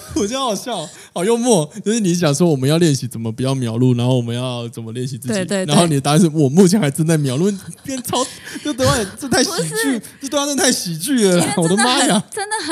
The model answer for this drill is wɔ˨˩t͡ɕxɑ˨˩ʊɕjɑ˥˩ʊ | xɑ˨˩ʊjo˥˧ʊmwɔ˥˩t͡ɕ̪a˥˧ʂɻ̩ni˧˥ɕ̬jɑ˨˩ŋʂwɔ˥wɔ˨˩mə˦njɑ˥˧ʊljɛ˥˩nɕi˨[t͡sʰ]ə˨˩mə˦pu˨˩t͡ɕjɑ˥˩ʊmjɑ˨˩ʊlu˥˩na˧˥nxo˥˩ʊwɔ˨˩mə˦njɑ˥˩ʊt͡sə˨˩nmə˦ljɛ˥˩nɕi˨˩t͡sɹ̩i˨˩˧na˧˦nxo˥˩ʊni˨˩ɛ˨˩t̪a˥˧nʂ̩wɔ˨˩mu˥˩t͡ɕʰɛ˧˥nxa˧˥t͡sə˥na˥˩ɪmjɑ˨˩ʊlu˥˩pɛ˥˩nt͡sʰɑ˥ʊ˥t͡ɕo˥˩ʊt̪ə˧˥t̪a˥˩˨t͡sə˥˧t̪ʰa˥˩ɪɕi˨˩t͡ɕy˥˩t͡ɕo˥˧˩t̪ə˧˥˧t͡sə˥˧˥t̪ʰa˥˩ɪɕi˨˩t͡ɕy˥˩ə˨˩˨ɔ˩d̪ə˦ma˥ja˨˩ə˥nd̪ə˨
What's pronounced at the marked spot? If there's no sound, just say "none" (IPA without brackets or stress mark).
t͡s